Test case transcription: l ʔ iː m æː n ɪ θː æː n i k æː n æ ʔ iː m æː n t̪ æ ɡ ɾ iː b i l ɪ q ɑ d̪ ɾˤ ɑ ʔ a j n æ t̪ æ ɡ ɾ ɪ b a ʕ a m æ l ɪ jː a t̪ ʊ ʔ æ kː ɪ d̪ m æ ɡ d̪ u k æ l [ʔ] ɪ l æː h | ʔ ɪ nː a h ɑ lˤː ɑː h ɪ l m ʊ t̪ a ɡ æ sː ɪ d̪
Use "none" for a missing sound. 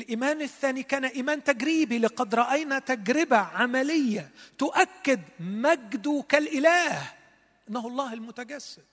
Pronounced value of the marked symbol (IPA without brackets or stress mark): ʔ